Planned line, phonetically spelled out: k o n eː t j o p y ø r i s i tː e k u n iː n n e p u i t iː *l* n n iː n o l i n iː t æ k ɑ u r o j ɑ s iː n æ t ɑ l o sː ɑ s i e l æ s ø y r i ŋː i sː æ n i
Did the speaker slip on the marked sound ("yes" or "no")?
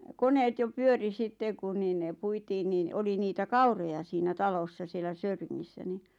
yes